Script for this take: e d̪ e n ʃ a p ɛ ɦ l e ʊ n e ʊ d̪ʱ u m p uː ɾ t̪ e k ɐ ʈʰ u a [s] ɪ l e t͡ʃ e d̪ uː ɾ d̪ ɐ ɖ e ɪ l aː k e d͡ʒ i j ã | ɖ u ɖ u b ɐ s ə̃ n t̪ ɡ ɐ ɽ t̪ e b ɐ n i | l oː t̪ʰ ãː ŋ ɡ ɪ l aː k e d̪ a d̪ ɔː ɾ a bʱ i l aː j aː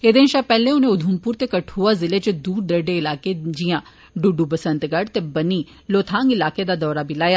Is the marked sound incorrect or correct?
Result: incorrect